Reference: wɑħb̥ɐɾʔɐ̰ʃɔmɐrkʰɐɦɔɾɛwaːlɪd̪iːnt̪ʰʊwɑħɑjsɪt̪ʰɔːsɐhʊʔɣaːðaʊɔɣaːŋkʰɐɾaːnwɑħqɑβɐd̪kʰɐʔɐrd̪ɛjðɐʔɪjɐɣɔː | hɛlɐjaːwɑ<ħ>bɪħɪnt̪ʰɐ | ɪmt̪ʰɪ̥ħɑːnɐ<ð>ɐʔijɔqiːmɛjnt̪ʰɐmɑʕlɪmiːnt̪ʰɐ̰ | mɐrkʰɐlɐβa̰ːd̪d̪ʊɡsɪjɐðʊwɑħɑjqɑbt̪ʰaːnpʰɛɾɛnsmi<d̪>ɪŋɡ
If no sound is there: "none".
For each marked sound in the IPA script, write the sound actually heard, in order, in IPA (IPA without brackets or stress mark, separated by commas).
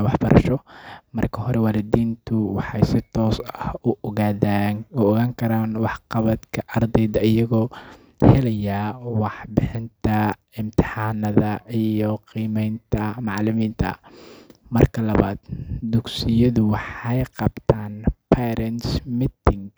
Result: ħ, ð, t̪